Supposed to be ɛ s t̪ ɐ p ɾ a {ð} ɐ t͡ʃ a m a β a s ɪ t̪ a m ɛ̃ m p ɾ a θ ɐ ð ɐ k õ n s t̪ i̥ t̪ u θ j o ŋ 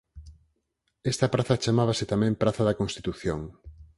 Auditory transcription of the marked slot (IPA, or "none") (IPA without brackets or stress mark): θ